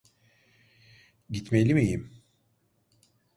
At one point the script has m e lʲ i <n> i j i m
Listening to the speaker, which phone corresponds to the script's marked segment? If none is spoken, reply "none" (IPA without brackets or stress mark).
m